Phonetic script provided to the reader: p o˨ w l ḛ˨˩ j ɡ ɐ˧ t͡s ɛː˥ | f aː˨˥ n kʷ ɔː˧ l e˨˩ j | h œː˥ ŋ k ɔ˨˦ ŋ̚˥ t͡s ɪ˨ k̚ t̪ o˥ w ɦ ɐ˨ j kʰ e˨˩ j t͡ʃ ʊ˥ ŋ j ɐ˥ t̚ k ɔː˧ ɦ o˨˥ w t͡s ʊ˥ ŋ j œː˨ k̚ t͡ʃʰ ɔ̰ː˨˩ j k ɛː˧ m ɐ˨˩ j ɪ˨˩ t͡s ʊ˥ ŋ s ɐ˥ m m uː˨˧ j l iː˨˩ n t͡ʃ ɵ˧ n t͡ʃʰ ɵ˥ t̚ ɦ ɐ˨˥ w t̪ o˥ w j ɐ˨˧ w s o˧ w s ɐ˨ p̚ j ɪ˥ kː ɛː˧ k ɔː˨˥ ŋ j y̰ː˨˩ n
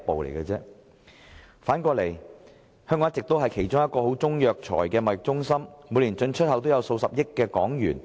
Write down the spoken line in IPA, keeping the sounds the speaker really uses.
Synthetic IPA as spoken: p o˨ w l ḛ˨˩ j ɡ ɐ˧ t͡s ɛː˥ | f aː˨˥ n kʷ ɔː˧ l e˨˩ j | h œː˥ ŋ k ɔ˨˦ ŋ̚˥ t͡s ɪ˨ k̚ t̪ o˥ w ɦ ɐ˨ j kʰ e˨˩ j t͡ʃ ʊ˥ ŋ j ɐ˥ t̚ k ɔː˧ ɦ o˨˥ w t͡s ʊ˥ ŋ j œː˨ k̚ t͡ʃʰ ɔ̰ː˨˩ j k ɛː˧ m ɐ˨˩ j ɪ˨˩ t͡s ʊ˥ ŋ s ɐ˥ m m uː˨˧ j l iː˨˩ n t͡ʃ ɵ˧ n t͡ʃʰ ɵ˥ t̚ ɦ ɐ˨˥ w t̪ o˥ w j ɐ˨˧ w s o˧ w s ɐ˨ p̚ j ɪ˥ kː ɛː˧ k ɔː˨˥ ŋ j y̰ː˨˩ n